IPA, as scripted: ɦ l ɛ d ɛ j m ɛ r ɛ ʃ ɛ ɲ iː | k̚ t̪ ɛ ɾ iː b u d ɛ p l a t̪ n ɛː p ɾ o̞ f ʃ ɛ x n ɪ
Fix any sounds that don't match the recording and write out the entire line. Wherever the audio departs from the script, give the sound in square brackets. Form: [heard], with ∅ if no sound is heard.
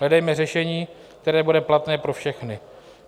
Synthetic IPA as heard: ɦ l ɛ d ɛ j m ɛ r ɛ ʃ ɛ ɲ iː | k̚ t̪ ɛ ɾ [ɛː] b u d ɛ p l a t̪ n ɛː p ɾ o̞ f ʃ ɛ x n ɪ